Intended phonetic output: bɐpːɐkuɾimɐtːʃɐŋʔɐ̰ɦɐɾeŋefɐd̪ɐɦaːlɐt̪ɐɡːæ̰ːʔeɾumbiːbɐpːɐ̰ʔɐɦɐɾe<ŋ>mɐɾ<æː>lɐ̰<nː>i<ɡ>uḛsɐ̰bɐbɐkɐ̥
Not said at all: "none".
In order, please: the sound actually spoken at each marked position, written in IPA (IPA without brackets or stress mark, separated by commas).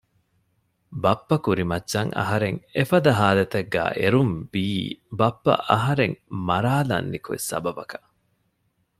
ŋ, aː, nː, k